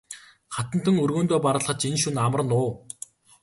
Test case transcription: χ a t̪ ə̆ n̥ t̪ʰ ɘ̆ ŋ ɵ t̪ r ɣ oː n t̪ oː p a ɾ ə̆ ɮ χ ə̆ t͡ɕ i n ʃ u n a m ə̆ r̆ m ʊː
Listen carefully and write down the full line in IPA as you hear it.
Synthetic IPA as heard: χ a t̪ ə̆ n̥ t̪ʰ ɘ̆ ŋ ɵ r ɣ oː n t̪ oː p a ɾ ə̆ ɮ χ ə̆ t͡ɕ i n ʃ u n a m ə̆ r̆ n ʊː

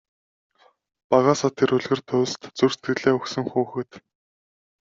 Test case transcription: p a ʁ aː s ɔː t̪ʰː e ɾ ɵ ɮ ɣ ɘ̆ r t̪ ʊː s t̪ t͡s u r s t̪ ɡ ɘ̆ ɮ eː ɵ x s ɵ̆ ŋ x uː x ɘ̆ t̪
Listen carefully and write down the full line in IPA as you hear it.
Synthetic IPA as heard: p a ʁ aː s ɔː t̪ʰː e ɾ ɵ ɮ ɣ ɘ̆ r t̪ʰ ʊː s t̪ t͡s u r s t̪ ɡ ɘ̆ ɮ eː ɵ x s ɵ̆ ŋ x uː x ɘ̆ t̪

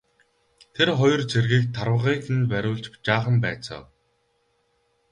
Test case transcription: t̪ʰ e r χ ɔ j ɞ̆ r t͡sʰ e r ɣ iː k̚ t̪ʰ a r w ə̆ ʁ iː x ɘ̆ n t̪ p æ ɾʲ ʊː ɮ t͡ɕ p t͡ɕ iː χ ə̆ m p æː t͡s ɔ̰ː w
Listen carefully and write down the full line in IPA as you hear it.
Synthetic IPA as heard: t̪ʰ e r χ ɔ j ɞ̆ r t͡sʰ e r ɣ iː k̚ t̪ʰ a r w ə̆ ʁ iː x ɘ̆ n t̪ p æ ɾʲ ʊː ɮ t͡ɕ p t͡ɕ aː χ ə̆ m p æː t͡s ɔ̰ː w

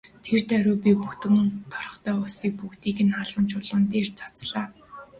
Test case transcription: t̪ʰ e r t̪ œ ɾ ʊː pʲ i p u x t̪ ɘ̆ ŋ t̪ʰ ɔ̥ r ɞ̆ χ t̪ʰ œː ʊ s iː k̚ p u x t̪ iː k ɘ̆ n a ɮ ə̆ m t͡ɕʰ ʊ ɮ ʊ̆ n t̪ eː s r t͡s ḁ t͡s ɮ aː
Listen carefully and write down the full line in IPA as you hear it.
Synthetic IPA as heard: t̪ʰ e r t̪ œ ɾ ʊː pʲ i p u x t̪ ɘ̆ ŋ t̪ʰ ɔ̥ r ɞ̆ χ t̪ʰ œː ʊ s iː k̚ p u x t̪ iː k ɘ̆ n a ɮ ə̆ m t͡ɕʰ ʊ ɮ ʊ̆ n t̪ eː r t͡s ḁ t͡s ɮ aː

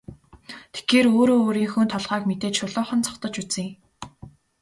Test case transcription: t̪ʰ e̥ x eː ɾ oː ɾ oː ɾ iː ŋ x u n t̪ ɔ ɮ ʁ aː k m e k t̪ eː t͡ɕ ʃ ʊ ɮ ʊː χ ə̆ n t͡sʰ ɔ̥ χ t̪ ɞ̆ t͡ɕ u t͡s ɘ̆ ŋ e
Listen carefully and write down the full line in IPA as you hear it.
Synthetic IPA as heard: t̪ʰ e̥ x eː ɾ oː ɾ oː ɾ iː ŋ x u n t̪ʰ ɔ ɮ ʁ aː k m e t̪ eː t͡ɕ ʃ ʊ ɮ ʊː χ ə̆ n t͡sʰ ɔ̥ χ t̪ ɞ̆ t͡ɕ u t͡s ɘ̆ ŋ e

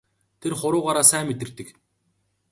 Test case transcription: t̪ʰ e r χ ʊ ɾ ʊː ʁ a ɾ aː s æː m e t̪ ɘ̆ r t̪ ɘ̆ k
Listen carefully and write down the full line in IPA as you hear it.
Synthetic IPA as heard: t̪ʰ e r χ ʊ ɾ ʊː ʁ a ɾ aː s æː m e t̪ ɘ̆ r t̪ ɘ̆ k

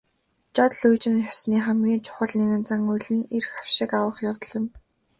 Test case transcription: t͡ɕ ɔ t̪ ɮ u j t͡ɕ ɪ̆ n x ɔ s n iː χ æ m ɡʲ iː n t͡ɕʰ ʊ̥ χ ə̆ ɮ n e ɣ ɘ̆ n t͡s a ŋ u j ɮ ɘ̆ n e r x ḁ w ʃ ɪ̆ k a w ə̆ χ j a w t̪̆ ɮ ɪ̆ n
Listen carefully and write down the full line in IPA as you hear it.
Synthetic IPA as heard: t͡ɕ ɔ t̪ ɮ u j t͡ɕ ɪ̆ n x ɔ s n iː χ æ m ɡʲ iː n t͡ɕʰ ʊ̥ χ ə̆ ɮ n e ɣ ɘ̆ n t͡s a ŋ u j ɮ ɘ̆ n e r x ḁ w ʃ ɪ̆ k a w ə̆ χ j a w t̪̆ ɮ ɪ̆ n

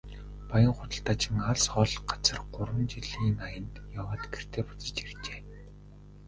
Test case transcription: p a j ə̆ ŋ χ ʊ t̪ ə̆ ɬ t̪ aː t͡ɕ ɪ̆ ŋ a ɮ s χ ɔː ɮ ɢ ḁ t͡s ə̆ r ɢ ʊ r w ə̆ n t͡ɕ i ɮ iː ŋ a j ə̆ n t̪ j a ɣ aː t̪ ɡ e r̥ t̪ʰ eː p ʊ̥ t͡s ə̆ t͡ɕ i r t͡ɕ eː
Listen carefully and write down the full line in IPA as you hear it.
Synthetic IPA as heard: p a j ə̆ ŋ χ ʊ t̪ ə̆ ɬ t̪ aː t͡ɕ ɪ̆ ŋ a ɮ s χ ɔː ɮ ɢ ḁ t͡s ə̆ r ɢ ʊ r w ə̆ n t͡ɕ i ɮ iː ŋ a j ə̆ n t̪ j a w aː t̪ ɡ e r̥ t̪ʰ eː p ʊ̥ t͡s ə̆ t͡ɕ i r t͡ɕ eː

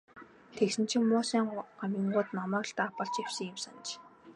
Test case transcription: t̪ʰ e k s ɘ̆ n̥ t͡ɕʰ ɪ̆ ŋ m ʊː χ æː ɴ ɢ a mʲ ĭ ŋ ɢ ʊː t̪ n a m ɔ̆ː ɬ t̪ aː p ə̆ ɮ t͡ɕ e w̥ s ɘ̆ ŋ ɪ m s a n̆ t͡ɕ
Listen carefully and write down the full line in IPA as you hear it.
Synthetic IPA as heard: t̪ʰ e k s ɘ̆ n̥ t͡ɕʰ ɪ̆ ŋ m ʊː s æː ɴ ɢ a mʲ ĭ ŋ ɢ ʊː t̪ n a m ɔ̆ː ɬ t̪ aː p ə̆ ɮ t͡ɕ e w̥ s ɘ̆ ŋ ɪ m s a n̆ t͡ɕ

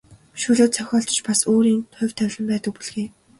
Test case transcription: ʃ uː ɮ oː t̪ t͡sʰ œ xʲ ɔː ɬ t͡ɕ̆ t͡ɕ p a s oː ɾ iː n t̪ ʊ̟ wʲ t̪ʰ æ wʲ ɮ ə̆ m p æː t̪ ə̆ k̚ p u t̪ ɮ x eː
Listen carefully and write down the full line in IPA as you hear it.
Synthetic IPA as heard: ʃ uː ɮ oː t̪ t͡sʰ œ xʲ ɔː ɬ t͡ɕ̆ t͡ɕ p a s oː ɾ iː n t̪ʰ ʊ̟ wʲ t̪ʰ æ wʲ ɮ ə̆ m p æː t̪ ə̆ k̚ p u ɮ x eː

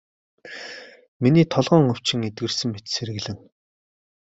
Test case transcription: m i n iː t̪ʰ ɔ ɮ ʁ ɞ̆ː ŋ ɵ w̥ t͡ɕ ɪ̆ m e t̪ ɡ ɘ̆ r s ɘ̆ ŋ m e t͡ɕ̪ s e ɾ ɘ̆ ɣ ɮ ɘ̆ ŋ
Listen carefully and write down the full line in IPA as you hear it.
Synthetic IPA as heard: m i n iː t̪ʰ ɔ ɮ ʁ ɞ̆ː ŋ ɵ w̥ t͡ɕ ɪ̆ ŋ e t̪ ɡ ɘ̆ r s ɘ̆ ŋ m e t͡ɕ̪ s e ɾ ɘ̆ ɣ ɮ ɘ̆ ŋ

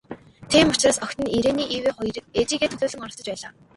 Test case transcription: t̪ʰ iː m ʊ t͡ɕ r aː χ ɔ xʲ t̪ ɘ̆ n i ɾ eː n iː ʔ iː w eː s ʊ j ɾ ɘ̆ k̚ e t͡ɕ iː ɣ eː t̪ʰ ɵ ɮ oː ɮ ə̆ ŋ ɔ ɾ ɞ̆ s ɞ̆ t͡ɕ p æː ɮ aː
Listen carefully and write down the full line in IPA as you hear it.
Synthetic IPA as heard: t̪ʰ iː m ʊ t͡ɕ r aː s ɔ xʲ t̪ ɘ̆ n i ɾ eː n iː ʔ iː w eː χ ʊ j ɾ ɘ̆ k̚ e t͡ɕ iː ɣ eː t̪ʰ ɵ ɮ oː ɮ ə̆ ŋ ɔ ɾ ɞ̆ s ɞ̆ t͡ɕ p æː ɮ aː

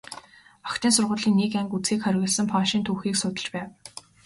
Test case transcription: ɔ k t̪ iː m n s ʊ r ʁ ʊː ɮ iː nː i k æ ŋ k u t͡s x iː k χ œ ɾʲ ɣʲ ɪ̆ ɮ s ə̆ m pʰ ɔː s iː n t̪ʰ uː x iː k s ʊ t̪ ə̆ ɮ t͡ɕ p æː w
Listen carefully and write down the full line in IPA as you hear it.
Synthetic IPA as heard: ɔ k t̪ iː n s ʊ r ʁ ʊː ɮ iː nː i k æ ŋ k u t͡s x iː k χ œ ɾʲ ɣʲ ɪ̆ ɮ s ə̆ m pʰ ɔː ʃ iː n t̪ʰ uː x iː k s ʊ t̪ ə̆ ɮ t͡ɕ p æː w

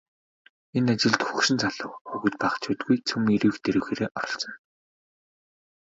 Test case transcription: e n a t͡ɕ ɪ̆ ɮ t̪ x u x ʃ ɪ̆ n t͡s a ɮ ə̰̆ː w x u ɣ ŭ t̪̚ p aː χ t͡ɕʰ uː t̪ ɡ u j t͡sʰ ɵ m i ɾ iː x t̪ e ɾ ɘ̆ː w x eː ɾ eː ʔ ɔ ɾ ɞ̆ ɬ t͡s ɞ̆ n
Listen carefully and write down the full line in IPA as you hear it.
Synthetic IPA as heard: e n a t͡ɕ ɪ̆ ɮ t̪ x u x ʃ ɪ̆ n t͡s a ɮ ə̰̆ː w x u ɣ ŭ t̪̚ p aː χ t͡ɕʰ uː t̪ ɡ u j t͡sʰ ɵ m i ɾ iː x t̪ e ɾ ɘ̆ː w x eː ɾ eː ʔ ɔ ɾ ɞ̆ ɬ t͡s ɞ̆ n

